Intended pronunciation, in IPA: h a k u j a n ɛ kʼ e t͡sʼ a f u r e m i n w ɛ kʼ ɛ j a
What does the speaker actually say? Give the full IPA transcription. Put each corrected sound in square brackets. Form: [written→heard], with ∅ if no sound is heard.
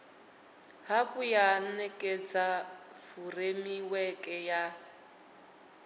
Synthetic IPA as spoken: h a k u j a n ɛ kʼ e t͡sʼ a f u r e m i [n→∅] w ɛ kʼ ɛ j a